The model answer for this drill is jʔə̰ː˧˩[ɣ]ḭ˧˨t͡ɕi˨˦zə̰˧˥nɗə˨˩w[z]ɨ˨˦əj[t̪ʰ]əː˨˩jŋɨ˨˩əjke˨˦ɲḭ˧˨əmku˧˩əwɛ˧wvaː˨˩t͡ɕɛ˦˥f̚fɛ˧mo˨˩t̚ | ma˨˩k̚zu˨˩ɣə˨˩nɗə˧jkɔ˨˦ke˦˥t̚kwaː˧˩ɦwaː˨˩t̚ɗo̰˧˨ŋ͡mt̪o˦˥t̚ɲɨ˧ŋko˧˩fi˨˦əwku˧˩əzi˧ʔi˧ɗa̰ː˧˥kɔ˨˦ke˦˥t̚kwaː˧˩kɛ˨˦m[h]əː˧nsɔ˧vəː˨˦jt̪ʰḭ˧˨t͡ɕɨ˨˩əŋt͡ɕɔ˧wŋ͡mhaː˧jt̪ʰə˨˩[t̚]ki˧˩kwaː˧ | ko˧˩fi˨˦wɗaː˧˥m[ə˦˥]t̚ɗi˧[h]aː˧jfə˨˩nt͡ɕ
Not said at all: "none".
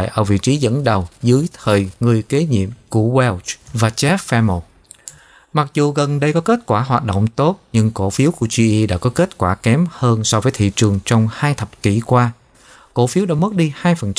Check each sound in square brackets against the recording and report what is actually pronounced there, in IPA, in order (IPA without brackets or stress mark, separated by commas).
v, z, t̪ʰ, h, p̚, ə˦˥, h